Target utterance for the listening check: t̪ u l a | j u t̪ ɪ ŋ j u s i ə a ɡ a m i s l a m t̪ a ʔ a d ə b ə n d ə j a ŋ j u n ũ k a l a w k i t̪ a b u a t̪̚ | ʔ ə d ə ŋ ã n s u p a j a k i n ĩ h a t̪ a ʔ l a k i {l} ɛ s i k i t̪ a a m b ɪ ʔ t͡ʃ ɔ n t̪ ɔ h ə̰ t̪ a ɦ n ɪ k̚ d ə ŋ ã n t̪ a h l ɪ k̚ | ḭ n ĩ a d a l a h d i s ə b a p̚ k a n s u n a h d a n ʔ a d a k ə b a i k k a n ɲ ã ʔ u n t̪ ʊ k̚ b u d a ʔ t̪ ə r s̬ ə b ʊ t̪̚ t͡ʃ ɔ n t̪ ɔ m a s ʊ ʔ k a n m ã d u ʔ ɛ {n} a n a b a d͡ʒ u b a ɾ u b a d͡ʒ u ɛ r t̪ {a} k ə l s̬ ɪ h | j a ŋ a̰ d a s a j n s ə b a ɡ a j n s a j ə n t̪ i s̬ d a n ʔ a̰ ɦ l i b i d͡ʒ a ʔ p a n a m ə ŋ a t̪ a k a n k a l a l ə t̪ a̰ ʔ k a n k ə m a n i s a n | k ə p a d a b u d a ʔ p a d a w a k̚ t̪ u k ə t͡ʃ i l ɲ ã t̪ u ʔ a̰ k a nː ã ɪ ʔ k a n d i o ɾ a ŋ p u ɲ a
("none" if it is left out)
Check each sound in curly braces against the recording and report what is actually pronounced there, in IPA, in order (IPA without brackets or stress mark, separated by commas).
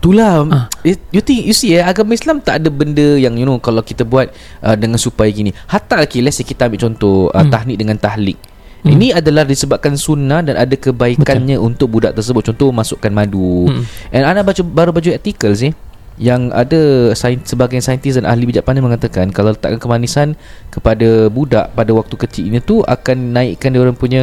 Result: l, n, i